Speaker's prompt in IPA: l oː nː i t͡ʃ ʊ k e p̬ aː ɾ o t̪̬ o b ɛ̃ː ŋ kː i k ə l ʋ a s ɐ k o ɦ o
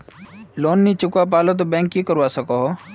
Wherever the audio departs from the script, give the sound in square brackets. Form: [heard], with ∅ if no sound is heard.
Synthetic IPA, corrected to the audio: l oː nː i t͡ʃ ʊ k [a] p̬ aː [l] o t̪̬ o b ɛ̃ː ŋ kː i k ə [ɾ] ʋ a s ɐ k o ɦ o